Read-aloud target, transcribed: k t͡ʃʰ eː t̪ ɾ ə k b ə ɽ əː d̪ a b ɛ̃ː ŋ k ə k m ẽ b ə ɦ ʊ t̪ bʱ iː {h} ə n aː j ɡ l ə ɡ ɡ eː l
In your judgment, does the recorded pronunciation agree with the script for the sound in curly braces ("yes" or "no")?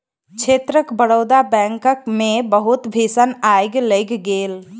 no